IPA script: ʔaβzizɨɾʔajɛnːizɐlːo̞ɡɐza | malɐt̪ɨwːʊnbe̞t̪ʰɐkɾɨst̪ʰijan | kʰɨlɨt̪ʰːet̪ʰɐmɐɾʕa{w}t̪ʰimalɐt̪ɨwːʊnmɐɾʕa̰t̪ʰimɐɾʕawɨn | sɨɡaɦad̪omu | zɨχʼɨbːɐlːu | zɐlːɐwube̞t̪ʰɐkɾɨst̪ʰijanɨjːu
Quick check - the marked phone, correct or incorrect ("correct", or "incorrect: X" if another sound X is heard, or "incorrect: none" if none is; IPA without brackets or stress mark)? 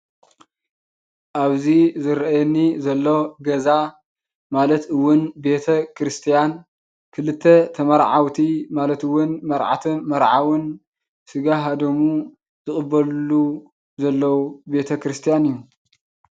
correct